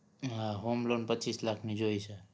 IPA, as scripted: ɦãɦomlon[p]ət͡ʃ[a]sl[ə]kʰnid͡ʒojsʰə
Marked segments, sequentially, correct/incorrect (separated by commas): correct, incorrect, incorrect